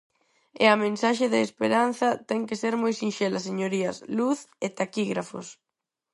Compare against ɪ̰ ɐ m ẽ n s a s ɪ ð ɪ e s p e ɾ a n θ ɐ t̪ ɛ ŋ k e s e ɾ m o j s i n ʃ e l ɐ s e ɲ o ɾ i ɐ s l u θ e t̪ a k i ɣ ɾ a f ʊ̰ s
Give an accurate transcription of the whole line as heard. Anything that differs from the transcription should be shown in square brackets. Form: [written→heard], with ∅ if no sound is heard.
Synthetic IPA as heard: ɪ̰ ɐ m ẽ n s a [s→ʃ] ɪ ð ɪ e s p e ɾ a n θ ɐ t̪ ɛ ŋ k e s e ɾ m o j s i n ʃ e l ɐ s e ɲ o ɾ i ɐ s l u θ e t̪ a k i ɣ ɾ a f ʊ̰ s